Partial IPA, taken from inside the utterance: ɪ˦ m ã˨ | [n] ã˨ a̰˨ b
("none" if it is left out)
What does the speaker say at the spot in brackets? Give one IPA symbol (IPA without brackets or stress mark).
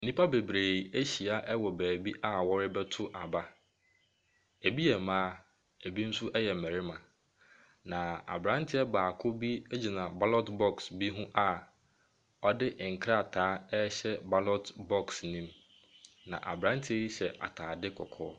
n